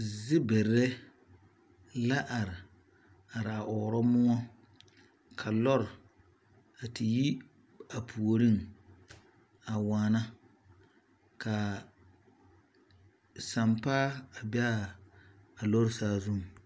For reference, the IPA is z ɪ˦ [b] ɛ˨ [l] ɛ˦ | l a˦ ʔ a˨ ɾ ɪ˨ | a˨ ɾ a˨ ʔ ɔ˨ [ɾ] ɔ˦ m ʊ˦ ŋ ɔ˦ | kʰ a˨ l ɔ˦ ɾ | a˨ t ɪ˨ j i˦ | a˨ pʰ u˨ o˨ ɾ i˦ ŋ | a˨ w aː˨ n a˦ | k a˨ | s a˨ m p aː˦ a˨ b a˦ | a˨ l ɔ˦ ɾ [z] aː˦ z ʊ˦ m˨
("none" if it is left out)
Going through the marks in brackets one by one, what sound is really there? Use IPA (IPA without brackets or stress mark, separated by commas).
b, ɾ, ɾ, s